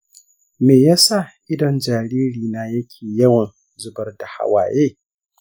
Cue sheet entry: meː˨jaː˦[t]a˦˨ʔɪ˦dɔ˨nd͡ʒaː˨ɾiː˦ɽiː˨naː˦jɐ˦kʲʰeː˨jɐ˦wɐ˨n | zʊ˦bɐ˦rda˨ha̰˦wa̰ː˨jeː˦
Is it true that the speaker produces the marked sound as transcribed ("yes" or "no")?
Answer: no